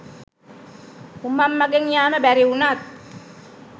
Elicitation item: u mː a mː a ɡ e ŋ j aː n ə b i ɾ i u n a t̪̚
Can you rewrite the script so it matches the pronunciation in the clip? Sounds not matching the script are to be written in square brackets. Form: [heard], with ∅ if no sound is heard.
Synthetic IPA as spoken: u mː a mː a ɡ e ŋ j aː [m] ə b [æ] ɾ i u n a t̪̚